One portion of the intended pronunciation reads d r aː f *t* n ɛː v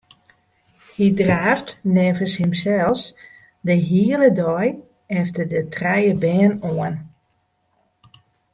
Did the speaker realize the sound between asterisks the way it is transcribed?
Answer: yes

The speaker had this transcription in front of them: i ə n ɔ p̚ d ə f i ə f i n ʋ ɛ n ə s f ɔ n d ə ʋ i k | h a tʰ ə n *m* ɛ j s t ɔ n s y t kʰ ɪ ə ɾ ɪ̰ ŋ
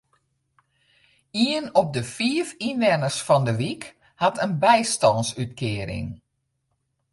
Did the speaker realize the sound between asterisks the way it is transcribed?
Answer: no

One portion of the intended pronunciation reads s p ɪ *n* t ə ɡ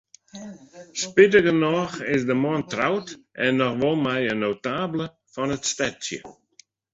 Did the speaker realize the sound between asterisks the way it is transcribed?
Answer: no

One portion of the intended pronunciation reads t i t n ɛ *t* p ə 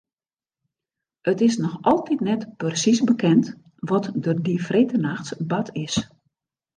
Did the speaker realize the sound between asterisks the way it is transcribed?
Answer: yes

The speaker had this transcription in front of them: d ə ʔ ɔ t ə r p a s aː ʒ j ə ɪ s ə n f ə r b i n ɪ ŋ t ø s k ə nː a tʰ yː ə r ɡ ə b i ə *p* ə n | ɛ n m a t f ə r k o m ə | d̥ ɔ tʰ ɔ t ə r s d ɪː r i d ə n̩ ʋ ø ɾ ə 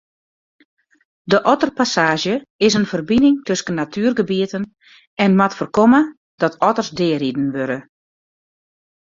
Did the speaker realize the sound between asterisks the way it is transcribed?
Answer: no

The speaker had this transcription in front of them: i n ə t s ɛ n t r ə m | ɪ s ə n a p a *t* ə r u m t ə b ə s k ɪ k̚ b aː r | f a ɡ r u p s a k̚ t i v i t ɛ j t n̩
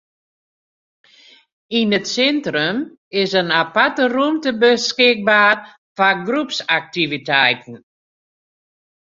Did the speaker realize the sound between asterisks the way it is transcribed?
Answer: yes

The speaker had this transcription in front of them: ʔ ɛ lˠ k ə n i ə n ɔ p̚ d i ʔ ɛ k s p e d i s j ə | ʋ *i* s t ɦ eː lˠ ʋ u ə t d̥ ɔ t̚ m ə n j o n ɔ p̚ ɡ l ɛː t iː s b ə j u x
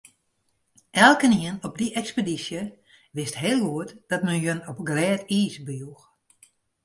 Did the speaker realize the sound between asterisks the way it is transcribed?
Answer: no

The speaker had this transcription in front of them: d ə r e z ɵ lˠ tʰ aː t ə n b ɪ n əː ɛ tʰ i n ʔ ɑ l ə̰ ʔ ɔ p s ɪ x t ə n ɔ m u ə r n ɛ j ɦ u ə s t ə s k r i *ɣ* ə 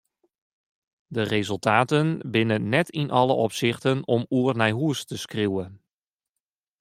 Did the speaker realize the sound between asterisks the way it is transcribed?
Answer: no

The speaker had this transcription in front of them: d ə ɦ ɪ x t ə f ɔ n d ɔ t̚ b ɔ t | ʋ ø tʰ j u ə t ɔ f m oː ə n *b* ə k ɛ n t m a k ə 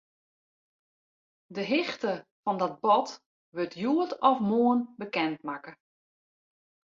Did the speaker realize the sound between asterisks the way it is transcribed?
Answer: yes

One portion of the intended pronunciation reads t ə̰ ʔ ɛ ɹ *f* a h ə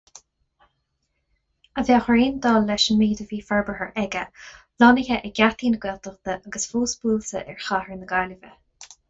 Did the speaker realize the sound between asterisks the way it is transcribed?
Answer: no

